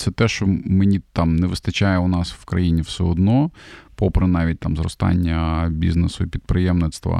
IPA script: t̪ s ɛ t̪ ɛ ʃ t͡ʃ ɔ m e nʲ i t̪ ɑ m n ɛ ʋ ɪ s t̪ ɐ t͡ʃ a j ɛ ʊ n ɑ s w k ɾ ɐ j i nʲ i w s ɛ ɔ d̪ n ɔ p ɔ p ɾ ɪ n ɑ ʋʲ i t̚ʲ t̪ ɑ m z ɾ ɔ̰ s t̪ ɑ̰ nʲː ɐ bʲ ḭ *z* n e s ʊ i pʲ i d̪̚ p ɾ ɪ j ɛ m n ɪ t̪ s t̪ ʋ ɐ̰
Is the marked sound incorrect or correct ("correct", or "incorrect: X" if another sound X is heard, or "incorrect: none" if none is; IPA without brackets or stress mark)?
correct